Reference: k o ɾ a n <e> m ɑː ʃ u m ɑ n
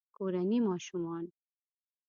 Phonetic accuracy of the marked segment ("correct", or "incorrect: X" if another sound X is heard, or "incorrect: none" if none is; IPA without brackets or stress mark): incorrect: i